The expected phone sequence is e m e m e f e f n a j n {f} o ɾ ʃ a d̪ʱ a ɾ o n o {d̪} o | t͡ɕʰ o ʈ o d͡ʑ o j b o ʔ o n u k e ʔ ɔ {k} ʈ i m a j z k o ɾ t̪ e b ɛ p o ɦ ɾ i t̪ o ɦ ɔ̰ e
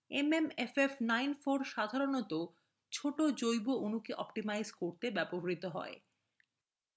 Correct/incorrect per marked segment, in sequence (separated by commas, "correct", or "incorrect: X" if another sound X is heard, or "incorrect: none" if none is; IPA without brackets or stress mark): correct, incorrect: t̪, incorrect: p